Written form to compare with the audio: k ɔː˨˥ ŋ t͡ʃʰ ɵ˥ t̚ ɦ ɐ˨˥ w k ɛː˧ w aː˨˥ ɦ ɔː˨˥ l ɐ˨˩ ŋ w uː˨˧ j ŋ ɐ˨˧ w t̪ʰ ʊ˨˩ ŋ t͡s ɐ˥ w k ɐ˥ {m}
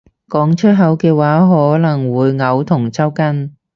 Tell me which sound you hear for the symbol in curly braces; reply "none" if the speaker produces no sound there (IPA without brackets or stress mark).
n